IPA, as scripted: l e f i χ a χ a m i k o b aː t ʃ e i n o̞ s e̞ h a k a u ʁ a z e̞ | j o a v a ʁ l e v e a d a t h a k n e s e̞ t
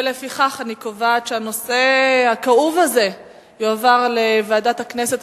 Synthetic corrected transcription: l e f i χ a χ a n i k o v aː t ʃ e a n o̞ s e̞ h a k a u v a z e̞ | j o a v a ʁ l e v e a d a t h a k n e s e̞ t